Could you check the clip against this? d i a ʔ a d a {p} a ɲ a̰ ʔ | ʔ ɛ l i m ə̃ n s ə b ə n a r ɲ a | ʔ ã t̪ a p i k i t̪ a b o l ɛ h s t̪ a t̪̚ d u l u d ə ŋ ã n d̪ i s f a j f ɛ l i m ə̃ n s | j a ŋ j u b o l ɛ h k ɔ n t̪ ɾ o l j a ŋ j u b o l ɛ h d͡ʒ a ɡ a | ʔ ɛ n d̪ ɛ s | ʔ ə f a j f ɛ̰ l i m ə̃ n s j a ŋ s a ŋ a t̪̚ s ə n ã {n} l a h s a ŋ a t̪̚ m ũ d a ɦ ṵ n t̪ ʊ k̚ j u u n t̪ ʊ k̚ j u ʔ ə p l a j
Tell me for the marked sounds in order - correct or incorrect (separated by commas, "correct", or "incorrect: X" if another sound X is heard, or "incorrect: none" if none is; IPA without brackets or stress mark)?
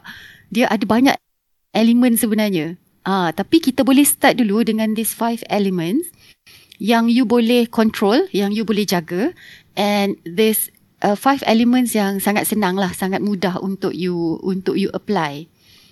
incorrect: b, incorrect: ŋ